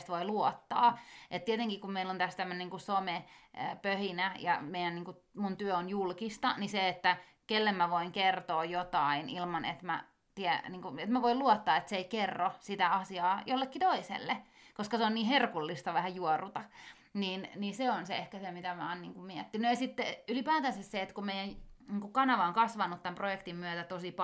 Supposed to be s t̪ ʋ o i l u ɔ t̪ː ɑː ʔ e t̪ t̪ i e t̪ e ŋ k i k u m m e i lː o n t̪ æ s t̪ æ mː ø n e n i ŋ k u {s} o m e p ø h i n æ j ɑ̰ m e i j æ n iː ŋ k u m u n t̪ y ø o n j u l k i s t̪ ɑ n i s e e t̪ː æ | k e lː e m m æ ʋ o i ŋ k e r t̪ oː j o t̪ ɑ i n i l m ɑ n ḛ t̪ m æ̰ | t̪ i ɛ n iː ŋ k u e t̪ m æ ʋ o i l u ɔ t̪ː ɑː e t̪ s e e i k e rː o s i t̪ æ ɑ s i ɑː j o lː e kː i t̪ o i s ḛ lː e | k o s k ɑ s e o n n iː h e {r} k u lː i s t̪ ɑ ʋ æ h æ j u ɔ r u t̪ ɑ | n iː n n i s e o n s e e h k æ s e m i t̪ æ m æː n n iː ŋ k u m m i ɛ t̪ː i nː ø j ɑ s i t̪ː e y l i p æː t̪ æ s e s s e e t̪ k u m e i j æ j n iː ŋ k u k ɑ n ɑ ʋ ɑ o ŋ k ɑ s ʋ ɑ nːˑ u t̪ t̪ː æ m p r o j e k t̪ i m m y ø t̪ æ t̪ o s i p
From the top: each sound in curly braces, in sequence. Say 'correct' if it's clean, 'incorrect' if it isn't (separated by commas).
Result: correct, correct